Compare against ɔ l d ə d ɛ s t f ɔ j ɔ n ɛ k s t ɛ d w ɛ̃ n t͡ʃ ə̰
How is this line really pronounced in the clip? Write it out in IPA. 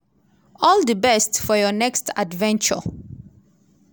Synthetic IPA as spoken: ɔ l d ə b ɛ s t f ɔ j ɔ n ɛ k s t a d v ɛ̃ n t͡ʃ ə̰

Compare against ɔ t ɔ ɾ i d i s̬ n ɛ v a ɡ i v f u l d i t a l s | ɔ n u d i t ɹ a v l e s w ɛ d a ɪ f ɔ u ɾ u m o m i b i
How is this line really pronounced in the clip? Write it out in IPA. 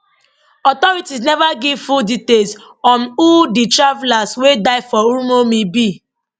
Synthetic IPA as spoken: ɔ t ɔ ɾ i t i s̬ n ɛ v a ɡ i v f u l d i t e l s | ɔ n u d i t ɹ a v l a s w e d a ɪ f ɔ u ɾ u m o m i b i

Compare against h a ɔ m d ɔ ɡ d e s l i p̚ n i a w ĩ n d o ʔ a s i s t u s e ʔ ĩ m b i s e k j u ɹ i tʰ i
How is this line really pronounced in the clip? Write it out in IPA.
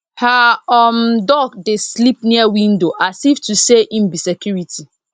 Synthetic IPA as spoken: h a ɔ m d ɔ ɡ d e s l i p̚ n i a w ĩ n d o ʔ a s i f t u s e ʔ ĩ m b i s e k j u ɹ i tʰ i

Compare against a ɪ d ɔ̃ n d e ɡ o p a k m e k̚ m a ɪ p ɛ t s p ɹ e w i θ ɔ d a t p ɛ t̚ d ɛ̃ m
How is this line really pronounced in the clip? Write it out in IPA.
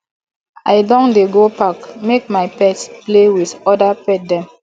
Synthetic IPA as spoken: a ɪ d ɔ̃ n d e ɡ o p a k m e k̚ m a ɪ p ɛ t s p l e w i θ ɔ d a p ɛ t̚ d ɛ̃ m

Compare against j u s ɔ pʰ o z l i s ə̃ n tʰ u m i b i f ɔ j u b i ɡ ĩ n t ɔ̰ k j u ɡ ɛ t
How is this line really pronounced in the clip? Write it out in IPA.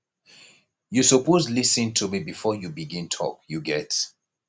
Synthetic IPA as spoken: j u s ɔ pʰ o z l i s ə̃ n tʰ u m i b i f ɔ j u b i ɡ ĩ n tʰ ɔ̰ k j u ɡ ɛ t

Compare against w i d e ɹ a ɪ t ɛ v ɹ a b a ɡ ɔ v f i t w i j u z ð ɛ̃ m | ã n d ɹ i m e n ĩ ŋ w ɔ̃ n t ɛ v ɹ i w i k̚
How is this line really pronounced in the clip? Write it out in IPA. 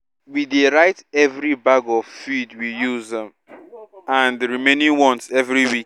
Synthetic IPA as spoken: w i d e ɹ a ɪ t ɛ v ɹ i b a ɡ ɔ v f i d w i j u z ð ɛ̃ m | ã n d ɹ i m e n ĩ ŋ w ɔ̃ n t ɛ v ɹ i w i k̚

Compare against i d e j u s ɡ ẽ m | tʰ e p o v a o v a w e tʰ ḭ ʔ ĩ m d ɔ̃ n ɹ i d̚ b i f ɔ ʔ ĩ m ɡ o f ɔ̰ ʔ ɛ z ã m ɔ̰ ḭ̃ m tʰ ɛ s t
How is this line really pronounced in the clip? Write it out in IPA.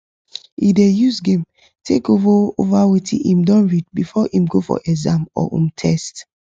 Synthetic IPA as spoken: i d e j u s ɡ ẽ m | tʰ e k o v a o v a w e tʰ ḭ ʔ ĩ m d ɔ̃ n ɹ i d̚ b i f ɔ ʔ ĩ m ɡ o f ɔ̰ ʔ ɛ z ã m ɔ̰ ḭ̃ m tʰ ɛ s t

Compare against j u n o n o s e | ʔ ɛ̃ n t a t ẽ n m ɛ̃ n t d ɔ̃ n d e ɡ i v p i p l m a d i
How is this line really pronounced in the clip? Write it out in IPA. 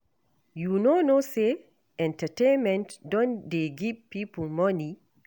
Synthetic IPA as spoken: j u n o n o s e | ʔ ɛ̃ n t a t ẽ n m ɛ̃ n t d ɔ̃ n d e ɡ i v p i p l m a n i

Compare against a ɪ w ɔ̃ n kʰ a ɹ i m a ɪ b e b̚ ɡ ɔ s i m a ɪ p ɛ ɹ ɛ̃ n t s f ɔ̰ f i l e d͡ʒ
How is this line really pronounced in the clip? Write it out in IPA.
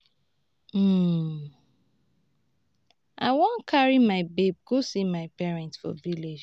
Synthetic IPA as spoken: a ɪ w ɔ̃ n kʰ a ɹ i m a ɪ b e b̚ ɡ o s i m a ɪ p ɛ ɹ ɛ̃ n t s f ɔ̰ v i l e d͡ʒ

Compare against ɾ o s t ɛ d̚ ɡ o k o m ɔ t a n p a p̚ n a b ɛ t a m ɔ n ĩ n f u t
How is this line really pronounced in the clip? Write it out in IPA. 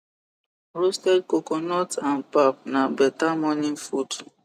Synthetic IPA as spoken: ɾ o s t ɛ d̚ k o k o n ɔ t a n p a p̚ n a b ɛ t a m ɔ n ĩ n f u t

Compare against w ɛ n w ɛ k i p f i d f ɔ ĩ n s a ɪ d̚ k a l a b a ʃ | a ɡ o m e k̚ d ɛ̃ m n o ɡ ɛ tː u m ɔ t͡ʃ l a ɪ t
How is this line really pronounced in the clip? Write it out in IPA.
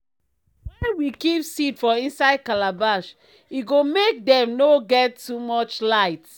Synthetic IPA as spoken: w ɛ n w i k i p s i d f ɔ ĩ n s a ɪ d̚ k a l a b a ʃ | i ɡ o m e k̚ d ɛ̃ m n o ɡ ɛ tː u m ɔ t͡ʃ l a ɪ t

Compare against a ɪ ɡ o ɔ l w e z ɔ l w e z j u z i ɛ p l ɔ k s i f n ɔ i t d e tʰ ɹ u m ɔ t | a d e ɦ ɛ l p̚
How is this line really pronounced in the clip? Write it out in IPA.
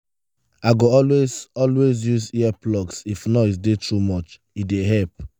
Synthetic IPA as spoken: a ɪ ɡ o ɔ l w e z ɔ l w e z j u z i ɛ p l ɔ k s i f n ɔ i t d e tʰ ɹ u m ɔ t͡ʃ | i d e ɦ ɛ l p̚

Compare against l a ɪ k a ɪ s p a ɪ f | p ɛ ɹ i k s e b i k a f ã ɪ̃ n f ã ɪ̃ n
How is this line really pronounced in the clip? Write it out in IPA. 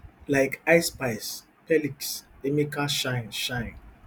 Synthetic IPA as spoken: l a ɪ k a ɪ s p a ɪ s | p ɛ l i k s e m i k a ʃ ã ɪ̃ n ʃ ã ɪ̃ n

